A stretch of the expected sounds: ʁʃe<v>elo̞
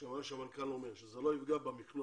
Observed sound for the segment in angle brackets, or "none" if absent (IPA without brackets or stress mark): z